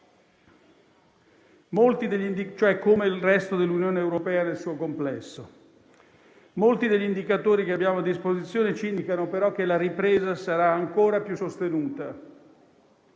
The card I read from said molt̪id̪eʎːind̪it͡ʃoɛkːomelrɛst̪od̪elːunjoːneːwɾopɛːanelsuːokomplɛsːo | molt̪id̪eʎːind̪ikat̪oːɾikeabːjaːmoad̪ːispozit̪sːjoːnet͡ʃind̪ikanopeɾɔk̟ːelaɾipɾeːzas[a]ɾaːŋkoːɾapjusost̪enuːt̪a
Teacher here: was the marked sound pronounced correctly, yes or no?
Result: yes